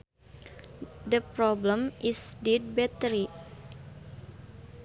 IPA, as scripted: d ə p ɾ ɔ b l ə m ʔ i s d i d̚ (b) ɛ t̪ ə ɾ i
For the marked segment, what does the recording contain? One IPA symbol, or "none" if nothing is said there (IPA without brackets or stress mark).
b